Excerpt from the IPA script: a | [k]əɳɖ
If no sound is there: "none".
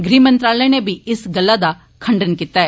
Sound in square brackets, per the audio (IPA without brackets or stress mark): kʰ